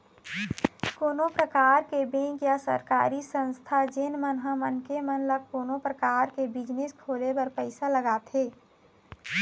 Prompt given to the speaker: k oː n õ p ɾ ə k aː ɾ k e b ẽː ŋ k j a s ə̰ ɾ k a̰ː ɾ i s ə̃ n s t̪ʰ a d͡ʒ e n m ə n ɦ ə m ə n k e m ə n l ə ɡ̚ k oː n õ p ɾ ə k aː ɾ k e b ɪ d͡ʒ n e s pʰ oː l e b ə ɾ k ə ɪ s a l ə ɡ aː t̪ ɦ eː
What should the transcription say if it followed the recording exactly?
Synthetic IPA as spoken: k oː n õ p ɾ ə k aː ɾ k e b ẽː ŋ k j a s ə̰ ɾ k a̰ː ɾ i s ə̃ n s t̪ʰ a d͡ʒ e n m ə n ɦ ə m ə n k e m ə n l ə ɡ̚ k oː n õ p ɾ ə k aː ɾ k e b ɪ d͡ʒ n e s kʰ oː l e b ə ɾ p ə ɪ s a l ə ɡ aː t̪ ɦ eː